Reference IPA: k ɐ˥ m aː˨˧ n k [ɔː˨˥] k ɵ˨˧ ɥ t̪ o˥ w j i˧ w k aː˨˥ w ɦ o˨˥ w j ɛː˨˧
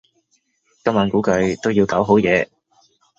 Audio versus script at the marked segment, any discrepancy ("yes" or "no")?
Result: yes